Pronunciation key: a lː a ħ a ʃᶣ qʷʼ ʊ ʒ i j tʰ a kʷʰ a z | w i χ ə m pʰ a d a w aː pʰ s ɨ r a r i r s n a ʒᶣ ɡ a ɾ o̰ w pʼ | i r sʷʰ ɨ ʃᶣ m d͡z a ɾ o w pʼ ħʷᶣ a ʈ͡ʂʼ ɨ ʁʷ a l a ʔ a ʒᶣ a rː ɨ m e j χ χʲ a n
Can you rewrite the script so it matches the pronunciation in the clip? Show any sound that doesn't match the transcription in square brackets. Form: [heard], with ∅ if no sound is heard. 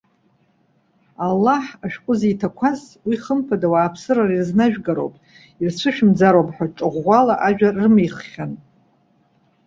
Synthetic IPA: a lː a ħ a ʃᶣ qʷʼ ʊ [z] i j tʰ a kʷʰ a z | w i χ ə m pʰ a d a w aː pʰ s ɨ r a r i r [z] n a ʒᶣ ɡ a ɾ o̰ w pʼ | i r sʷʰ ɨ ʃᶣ m d͡z a ɾ o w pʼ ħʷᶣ a ʈ͡ʂʼ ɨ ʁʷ a l a ʔ a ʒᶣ a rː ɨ m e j χ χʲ a n